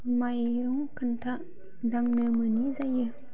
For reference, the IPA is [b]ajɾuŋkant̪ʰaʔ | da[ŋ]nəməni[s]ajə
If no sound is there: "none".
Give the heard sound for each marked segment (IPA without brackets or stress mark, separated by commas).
m, ŋ, z